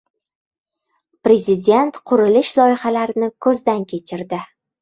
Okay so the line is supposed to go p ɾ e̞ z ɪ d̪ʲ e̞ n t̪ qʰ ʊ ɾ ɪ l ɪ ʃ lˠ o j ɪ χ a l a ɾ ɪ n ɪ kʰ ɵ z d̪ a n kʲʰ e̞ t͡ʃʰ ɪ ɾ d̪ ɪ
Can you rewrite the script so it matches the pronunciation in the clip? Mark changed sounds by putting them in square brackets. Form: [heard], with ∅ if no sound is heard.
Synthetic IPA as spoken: p ɾ e̞ z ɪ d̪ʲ e̞ n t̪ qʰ ʊ ɾ ɪ l ɪ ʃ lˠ [ɒ] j ɪ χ a l a ɾ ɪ n ɪ kʰ ɵ z d̪ a n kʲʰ e̞ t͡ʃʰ ɪ ɾ d̪ ɪ